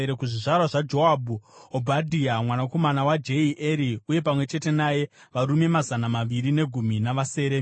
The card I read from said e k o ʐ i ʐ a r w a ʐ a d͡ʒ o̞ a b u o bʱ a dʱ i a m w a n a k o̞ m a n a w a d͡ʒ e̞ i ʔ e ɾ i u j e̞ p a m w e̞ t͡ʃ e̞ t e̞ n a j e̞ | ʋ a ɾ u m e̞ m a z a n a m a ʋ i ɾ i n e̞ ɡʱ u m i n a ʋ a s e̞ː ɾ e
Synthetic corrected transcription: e k u ʐ i ʐ a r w a ʐ a d͡ʒ o̞ a b u o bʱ a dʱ i a m w a n a k o̞ m a n a w a d͡ʒ e̞ i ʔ e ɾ i u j e̞ p a m w e̞ t͡ʃ e̞ t e̞ n a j e̞ | ʋ a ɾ u m e̞ m a z a n a m a ʋ i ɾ i n e̞ ɡʱ u m i n a ʋ a s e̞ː ɾ e